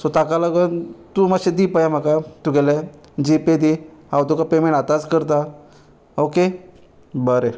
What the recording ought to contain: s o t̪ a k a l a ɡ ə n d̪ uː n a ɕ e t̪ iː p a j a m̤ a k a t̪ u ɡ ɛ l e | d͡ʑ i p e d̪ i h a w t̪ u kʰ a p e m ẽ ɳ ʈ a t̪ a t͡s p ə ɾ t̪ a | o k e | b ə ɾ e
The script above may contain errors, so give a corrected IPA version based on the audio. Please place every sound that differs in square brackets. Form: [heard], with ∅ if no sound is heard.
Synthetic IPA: s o t̪ a k a l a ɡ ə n [t̪] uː [m] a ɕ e [d̪] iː p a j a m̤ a k a t̪ u ɡ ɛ l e | d͡ʑ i p e d̪ i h a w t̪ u [k] a p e m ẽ ɳ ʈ a t̪ a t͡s [k] ə ɾ t̪ a | o k e | b ə ɾ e